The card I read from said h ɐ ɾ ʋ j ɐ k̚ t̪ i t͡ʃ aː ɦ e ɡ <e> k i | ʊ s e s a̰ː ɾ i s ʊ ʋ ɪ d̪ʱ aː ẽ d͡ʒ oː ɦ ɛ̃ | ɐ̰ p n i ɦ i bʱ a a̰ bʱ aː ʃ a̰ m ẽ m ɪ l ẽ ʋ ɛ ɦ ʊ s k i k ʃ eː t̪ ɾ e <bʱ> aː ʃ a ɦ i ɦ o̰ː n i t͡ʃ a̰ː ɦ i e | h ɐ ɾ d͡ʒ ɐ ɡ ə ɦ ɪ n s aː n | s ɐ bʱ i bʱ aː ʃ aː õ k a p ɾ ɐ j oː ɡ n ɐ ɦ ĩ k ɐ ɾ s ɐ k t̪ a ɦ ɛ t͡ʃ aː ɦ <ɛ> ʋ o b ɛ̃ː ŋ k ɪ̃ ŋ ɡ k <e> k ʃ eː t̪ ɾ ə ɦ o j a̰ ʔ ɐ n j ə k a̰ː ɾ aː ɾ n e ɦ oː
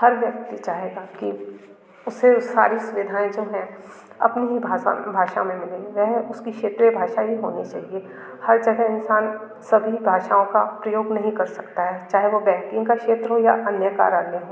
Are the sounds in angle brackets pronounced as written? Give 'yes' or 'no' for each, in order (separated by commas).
no, yes, no, no